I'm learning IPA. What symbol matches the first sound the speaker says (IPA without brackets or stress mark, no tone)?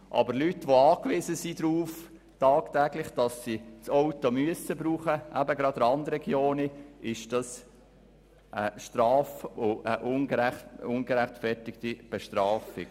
ʔ